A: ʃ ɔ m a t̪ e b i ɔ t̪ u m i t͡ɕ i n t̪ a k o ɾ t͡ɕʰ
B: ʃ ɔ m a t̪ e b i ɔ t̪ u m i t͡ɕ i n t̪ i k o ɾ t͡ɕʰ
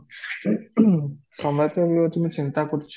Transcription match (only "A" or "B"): A